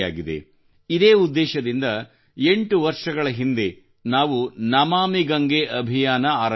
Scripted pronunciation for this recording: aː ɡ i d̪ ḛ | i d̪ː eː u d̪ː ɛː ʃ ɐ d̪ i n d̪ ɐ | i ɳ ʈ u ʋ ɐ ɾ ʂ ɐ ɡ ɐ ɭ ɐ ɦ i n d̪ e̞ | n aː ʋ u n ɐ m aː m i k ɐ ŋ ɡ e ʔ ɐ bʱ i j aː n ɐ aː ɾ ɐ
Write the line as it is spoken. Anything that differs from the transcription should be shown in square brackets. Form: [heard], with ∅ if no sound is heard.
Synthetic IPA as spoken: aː ɡ i d̪ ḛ | i [d̪] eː u d̪ː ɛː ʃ ɐ d̪ i n d̪ ɐ | [e] ɳ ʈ u ʋ ɐ ɾ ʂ ɐ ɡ ɐ ɭ ɐ ɦ i n d̪ e̞ | n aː ʋ u n ɐ m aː m i [ɡ] ɐ ŋ ɡ e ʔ ɐ bʱ i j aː n ɐ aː ɾ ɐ